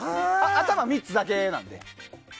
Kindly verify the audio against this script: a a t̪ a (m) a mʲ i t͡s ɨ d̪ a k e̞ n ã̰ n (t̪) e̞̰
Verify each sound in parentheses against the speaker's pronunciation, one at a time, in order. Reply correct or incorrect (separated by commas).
correct, incorrect